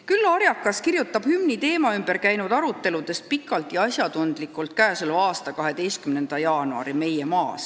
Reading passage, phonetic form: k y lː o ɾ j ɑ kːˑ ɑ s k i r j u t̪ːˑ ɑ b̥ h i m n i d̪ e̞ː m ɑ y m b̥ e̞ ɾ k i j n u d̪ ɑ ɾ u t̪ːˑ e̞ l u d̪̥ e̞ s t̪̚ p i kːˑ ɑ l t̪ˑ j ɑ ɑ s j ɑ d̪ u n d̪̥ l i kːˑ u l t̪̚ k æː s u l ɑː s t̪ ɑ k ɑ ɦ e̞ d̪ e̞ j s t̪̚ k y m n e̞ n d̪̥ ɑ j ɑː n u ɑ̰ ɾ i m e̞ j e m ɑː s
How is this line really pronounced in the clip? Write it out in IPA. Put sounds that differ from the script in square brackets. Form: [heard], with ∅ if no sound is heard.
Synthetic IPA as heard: k y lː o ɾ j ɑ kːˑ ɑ s k i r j u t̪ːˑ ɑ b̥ h [y] m n i [t̪] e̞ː m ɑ y m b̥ e̞ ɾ k [æ] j n u d̪ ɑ ɾ u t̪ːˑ e̞ l u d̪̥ e̞ s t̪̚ p i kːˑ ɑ l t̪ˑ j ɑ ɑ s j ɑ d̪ u n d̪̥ l i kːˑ u l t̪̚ k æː s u l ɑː s t̪ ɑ k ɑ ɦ e̞ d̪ e̞ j s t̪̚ k y m n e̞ n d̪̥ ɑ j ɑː n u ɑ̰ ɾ i m e̞ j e m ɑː s